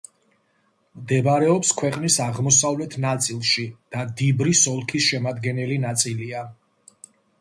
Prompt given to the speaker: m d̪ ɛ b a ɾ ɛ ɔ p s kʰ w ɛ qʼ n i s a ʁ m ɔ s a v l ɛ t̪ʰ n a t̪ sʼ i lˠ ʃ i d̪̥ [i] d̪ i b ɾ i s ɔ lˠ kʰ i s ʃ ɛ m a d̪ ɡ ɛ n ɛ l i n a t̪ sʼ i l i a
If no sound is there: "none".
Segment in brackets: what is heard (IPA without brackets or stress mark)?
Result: a